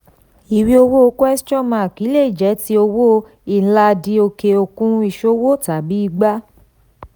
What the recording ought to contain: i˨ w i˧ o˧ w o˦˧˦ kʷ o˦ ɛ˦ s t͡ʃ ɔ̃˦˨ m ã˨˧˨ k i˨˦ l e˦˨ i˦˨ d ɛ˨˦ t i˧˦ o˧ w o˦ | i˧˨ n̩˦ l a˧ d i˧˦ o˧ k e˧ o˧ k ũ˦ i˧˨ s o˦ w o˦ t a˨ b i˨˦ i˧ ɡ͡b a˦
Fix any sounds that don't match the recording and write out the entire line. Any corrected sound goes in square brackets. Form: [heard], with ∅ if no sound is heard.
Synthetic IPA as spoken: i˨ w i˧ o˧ w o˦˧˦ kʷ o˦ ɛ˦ s t͡ʃ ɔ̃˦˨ m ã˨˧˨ k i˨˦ l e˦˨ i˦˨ [d͡ʒ] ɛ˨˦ t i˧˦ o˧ w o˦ | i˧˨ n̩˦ l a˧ d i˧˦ o˧ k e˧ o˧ k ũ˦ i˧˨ [ʃ] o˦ w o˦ t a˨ b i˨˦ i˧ ɡ͡b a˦